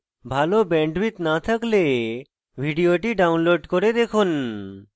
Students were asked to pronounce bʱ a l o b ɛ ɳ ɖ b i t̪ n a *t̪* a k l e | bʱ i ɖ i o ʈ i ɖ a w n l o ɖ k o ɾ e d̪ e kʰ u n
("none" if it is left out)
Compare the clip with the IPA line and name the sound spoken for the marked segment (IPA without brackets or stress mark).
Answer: t̪ʰ